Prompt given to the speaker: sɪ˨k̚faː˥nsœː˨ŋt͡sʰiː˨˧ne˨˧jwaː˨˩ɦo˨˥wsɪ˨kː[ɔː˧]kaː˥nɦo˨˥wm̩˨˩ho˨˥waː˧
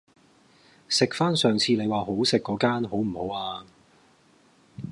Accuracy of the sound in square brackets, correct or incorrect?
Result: incorrect